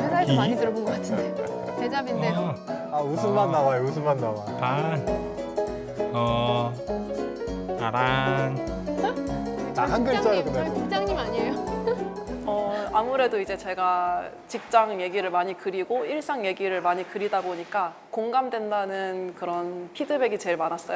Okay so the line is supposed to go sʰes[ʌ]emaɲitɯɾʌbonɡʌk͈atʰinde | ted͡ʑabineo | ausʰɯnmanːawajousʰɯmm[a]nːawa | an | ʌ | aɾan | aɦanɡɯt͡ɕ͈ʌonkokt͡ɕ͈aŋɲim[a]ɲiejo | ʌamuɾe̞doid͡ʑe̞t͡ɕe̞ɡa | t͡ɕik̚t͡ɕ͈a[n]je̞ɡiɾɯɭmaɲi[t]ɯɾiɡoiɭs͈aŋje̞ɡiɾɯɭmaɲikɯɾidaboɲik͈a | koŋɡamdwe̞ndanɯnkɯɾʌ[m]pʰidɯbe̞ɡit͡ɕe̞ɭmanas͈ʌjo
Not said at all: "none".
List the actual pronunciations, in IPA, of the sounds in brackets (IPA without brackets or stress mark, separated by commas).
a, a, a, ŋ, k, n